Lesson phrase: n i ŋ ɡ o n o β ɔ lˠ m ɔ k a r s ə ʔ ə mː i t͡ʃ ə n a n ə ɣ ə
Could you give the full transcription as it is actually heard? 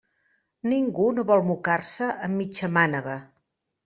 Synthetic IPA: n i ŋ ɡ u n o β ɔ lˠ m u k a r s ə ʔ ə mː i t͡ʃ ə m a n ə ɣ ə

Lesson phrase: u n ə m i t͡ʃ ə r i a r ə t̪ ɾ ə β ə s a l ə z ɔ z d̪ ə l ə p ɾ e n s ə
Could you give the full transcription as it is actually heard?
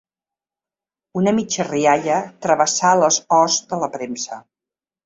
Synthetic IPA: u n ə m i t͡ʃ ə r i a ʎ ə t̪ ɾ ə β ə s a l ə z ɔ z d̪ ə l ə p ɾ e m s ə

